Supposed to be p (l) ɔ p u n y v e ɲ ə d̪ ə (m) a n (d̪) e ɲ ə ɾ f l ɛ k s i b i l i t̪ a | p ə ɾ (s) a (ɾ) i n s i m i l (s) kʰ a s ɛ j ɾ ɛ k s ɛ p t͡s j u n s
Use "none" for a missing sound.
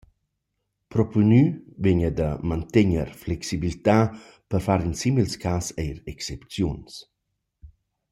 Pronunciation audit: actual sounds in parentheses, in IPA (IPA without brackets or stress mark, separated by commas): ɾ, m, t̪, f, ɾ, s